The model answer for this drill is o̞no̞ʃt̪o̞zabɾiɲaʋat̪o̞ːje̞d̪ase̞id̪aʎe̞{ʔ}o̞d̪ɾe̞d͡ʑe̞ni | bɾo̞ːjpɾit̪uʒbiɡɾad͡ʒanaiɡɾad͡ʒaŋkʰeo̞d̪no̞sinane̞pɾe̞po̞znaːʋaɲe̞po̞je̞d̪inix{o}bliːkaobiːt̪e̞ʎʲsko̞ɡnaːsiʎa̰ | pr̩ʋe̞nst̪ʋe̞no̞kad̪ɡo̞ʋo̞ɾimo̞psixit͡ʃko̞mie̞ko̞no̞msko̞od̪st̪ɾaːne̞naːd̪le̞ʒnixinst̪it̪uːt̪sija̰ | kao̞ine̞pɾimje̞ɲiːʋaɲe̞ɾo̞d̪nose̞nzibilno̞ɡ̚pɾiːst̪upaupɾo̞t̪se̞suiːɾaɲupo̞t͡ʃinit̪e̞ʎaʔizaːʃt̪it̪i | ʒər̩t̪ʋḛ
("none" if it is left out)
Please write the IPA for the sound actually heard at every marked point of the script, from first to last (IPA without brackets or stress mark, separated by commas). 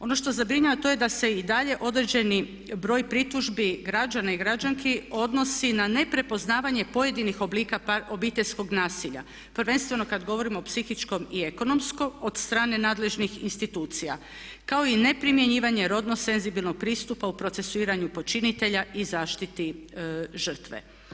ʔ, o